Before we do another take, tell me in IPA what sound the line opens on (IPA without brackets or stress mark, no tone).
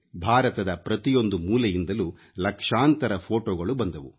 bʱ